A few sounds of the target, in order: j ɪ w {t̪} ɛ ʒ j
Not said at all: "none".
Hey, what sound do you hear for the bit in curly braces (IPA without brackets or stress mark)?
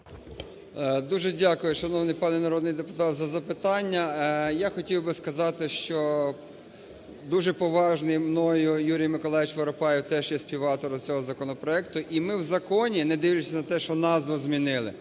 t̪